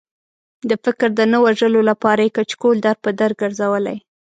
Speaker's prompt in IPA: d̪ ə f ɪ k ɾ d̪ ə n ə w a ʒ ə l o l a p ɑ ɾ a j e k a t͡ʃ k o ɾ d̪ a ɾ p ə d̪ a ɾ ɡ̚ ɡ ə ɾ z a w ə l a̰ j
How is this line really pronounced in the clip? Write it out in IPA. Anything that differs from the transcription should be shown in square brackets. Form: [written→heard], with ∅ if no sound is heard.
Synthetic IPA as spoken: d̪ ə f ɪ k ɾ d̪ ə n ə w a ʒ ə l o l a p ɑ ɾ a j e k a t͡ʃ k o [ɾ→l] d̪ a ɾ p ə d̪ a ɾ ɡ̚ ɡ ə ɾ z a w ə l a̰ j